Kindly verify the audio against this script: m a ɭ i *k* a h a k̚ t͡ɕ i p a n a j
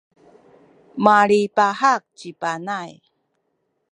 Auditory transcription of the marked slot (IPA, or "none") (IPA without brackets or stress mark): p